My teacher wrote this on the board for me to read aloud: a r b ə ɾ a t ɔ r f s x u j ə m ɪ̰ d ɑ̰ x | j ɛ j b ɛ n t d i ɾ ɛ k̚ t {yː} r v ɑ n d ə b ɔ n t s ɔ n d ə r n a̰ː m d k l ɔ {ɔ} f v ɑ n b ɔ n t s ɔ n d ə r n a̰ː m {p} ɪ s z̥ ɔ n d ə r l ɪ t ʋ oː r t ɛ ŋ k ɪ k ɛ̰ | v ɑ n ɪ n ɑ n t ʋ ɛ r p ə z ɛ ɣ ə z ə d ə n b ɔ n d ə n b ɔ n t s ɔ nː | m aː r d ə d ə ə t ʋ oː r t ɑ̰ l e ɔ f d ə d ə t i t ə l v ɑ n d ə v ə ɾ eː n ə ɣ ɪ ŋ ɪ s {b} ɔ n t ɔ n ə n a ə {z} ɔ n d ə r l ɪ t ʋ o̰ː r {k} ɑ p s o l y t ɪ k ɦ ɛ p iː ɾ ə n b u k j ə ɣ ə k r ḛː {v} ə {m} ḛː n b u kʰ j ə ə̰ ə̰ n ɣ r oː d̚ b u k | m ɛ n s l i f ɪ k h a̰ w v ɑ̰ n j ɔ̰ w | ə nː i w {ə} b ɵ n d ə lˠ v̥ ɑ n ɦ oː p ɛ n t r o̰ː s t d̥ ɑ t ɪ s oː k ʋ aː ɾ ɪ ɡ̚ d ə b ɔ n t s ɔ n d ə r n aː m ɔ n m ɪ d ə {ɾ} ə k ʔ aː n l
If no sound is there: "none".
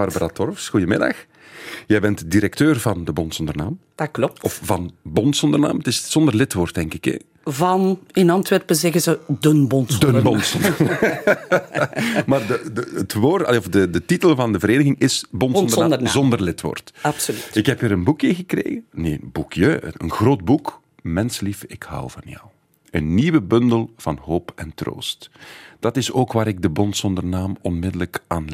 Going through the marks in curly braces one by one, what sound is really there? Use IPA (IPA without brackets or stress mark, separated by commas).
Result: øː, ɔ, t, b, z, t, ɣ, n, ə, l